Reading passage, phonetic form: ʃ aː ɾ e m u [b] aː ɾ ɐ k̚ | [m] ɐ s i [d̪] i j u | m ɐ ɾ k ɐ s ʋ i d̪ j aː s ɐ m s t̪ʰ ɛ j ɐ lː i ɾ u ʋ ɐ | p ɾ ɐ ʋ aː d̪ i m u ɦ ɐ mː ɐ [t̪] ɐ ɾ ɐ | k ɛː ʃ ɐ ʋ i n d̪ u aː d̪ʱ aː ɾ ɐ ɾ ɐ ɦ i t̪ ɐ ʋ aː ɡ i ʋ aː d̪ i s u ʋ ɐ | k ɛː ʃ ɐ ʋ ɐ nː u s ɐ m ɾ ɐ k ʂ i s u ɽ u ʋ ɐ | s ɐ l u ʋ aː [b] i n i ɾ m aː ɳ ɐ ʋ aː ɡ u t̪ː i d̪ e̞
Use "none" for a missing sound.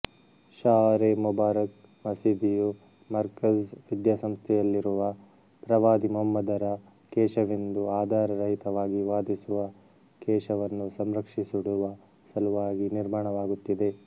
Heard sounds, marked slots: b, m, d̪, d̪, ɡ

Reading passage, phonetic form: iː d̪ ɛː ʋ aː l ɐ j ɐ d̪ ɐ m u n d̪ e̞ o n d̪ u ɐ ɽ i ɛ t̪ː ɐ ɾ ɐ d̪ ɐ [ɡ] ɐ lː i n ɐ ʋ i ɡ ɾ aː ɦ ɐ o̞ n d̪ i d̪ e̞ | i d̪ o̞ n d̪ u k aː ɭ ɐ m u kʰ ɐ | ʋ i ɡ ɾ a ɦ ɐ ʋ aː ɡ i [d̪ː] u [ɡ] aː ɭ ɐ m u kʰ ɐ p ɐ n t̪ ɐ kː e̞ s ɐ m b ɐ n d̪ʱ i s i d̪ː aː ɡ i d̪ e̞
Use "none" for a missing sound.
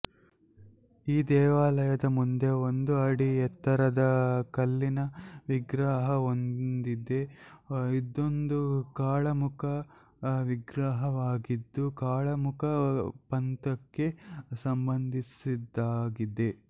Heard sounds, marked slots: k, d̪ː, k

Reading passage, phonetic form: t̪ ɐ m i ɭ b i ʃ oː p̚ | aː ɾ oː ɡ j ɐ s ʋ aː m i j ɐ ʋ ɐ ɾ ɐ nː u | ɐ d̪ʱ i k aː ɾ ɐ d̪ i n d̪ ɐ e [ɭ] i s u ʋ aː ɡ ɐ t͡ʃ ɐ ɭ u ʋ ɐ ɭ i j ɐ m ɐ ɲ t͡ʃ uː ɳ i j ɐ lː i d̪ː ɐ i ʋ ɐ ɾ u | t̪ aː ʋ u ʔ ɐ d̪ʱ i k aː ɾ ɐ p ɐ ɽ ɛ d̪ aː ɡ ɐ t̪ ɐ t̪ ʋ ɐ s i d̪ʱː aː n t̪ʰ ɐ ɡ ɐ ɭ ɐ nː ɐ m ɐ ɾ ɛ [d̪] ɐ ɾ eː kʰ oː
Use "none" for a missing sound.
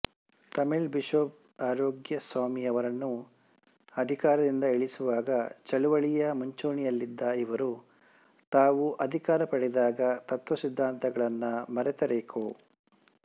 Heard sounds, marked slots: ɭ, t̪

